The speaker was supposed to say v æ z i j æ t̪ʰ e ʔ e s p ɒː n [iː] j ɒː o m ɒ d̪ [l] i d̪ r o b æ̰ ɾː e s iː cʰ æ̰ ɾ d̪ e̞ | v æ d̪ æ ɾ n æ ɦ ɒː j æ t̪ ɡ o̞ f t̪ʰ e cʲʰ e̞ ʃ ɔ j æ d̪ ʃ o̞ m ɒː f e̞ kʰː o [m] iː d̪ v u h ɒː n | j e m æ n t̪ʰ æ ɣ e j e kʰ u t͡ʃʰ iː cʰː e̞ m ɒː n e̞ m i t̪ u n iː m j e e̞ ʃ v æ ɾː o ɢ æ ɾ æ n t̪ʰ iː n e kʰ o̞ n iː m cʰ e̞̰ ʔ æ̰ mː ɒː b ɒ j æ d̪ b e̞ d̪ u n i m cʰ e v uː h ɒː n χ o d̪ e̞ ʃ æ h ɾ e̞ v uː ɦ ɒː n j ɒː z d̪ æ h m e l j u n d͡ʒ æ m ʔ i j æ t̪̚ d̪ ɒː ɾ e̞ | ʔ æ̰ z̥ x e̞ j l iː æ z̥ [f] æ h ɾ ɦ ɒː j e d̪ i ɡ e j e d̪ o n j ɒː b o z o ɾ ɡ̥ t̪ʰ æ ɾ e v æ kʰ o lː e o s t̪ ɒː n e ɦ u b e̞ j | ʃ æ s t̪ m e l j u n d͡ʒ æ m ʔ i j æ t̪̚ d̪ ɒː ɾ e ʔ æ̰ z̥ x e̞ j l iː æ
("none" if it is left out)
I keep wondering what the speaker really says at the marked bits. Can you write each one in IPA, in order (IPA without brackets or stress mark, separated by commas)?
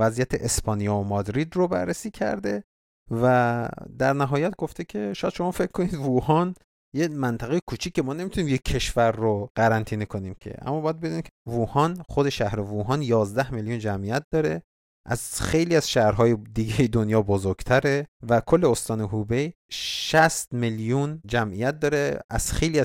i, ɾ, n, ʃ